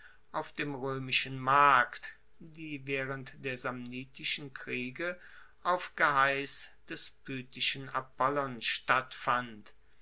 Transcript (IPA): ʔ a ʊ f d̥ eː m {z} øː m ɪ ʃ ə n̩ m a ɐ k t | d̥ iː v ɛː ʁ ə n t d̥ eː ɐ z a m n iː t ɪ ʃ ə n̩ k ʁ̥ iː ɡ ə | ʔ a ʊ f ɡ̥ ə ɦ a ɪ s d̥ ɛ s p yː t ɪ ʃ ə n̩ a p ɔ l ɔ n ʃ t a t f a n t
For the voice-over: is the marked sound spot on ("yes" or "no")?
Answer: no